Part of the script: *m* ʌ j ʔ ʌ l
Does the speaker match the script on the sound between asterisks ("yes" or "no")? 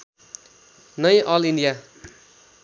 no